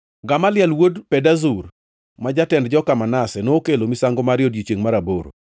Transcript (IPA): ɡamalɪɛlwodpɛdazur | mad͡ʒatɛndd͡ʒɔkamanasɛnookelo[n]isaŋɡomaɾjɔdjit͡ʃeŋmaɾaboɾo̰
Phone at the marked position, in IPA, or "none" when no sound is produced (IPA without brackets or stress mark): m